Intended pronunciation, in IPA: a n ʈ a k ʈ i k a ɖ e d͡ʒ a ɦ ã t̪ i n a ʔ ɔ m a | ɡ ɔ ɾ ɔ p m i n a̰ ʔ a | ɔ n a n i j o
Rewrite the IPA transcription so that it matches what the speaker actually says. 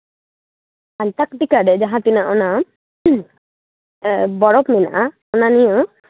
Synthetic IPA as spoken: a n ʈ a k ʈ i k a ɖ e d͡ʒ a ɦ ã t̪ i n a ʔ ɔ n a | b ɔ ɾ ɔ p m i n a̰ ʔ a | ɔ n a n i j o